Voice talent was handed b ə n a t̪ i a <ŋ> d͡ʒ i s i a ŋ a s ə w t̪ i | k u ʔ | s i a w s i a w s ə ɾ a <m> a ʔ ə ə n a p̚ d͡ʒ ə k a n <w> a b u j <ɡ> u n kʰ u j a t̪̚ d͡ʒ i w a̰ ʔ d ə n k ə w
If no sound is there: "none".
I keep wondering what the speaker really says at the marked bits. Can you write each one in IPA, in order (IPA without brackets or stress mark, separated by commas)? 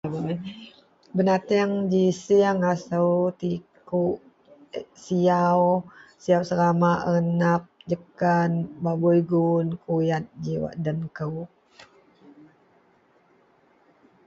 ŋ, m, b, ɡ